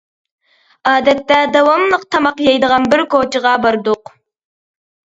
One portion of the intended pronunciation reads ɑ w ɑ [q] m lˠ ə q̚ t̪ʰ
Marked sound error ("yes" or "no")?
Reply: yes